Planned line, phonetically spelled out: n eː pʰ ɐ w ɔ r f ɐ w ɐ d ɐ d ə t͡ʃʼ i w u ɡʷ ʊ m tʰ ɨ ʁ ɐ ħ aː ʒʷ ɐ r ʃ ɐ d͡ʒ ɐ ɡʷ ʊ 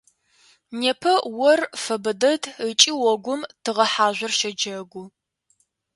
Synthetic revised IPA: n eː pʰ ɐ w ɔ r f ɐ b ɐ d ɐ d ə t͡ʃʼ i w ɔ ɡʷ ʊ m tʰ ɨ ʁ ɐ ħ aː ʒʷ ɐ r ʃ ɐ d͡ʒ ɐ ɡʷ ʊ